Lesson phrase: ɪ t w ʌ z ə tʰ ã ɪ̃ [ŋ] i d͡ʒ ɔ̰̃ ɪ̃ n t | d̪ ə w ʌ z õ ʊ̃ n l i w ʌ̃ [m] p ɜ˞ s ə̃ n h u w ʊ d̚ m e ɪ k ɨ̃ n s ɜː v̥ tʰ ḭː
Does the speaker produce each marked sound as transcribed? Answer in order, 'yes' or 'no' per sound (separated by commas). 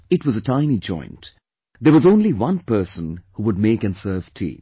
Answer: no, no